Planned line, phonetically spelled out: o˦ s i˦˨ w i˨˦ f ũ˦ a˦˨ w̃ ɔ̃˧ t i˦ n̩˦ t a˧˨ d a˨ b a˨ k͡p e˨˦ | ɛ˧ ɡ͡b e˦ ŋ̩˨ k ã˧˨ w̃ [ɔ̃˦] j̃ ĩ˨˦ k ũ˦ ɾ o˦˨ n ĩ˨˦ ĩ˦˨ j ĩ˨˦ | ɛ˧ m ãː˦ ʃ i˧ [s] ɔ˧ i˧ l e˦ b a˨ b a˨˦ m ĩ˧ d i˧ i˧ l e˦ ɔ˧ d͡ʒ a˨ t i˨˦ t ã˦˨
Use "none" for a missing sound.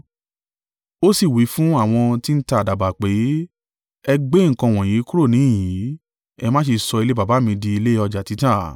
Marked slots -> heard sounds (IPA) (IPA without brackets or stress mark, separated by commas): ɔ̃˨, s